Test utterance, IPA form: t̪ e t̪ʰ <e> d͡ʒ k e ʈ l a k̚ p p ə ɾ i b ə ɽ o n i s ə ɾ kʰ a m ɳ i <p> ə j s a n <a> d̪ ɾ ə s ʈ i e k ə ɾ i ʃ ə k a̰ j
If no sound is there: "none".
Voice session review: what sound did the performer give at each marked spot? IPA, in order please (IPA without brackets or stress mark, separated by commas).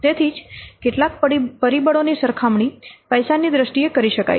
i, p, i